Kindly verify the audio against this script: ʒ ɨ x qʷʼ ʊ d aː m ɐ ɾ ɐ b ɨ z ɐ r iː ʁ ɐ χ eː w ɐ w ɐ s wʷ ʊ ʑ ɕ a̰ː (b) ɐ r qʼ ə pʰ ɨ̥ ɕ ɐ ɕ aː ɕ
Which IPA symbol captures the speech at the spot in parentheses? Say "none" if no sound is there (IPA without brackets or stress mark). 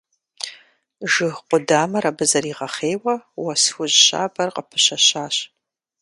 b